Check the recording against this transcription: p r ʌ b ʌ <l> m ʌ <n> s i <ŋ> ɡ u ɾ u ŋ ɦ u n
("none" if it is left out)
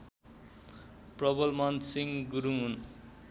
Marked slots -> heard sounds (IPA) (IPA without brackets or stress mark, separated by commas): l, n, ŋ